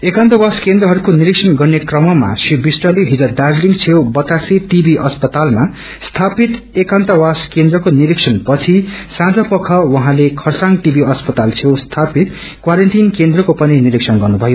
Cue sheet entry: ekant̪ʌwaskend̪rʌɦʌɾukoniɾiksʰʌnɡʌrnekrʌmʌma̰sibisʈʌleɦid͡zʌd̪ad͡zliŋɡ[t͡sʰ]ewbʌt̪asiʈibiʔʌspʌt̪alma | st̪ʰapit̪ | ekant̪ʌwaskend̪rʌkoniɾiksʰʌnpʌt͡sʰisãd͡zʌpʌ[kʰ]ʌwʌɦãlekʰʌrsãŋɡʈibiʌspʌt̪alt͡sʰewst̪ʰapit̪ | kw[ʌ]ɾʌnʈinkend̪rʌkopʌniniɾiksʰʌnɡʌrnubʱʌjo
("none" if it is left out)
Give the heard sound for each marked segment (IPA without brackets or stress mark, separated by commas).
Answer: t͡sʰ, kʰ, a